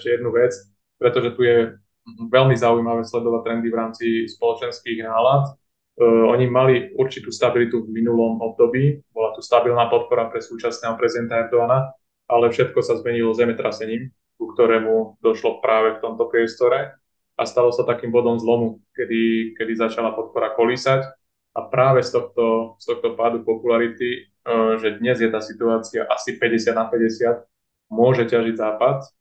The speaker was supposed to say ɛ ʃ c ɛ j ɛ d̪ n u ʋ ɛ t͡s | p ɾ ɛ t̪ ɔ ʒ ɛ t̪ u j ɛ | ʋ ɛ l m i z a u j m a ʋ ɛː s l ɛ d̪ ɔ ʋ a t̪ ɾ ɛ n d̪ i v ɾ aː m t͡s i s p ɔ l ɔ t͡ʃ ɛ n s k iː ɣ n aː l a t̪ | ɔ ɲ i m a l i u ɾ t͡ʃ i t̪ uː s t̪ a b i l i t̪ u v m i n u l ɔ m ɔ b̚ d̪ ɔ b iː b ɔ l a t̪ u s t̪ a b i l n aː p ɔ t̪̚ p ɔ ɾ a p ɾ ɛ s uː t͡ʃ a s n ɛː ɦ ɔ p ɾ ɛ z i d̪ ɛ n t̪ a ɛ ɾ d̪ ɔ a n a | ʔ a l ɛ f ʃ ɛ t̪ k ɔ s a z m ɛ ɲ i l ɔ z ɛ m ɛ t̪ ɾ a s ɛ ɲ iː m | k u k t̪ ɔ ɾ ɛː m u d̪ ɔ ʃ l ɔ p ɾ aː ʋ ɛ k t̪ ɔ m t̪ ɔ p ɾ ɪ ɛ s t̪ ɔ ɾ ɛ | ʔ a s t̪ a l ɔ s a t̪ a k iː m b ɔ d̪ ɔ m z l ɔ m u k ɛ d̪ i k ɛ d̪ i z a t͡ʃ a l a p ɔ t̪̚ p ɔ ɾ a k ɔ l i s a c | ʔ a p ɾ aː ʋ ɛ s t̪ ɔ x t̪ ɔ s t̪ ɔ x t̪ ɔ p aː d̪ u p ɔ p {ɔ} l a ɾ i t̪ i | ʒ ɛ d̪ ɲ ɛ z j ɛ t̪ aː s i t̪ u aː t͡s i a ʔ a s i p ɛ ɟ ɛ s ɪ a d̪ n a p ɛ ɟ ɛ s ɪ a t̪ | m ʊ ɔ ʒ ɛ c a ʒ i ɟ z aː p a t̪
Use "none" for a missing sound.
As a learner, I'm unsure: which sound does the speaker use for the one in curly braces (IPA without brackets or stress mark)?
u